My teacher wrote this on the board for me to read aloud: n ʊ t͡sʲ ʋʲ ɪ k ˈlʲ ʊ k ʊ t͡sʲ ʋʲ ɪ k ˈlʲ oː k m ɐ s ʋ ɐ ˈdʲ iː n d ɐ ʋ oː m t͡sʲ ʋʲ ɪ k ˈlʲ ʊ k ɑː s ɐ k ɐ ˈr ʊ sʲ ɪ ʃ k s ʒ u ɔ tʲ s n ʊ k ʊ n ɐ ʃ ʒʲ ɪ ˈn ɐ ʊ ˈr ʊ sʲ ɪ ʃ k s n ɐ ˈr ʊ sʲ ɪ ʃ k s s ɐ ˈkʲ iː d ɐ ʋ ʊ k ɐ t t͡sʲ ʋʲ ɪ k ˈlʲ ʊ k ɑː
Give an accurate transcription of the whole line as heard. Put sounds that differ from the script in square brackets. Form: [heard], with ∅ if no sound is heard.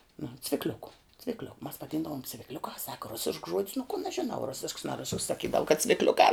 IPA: n ʊ t͡sʲ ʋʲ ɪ k ˈlʲ ʊ k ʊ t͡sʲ ʋʲ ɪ k ˈlʲ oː k m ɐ s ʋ ɐ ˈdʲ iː n d ɐ ʋ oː m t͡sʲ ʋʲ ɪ k ˈlʲ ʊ k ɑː s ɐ k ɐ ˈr ʊ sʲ ɪ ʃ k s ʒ u ɔ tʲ s n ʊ k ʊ n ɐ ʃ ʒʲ ɪ ˈn ɐ ʊ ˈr ʊ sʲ ɪ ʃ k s n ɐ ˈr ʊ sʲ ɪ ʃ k s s ɐ ˈkʲ iː d ɐ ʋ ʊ k ɐ t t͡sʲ ʋʲ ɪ k ˈlʲ ʊ k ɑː